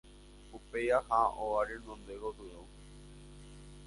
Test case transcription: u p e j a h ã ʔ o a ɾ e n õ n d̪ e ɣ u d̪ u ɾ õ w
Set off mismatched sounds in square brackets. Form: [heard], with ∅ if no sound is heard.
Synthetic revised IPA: u p e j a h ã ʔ o a ɾ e n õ n d̪ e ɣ [o] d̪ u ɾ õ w